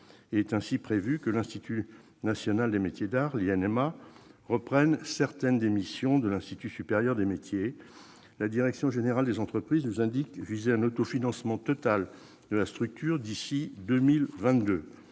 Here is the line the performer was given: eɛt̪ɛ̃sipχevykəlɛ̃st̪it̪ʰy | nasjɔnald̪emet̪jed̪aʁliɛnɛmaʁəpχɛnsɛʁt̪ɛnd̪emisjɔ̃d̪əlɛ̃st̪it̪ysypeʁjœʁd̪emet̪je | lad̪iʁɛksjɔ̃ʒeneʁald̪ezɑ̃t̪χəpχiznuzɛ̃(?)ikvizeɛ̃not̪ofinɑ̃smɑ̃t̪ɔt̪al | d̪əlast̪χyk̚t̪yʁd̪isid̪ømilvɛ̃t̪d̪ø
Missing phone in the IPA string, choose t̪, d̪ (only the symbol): d̪